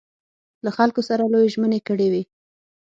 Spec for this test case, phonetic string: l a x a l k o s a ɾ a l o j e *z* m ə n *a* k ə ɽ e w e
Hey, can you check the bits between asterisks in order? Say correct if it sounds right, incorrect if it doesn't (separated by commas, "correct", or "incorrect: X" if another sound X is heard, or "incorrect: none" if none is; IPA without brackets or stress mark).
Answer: incorrect: ʒ, incorrect: e